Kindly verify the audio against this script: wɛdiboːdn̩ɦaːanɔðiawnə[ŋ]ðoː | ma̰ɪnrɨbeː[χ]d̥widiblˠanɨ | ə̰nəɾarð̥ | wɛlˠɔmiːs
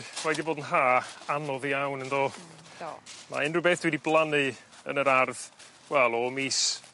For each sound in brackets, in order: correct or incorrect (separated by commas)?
incorrect, incorrect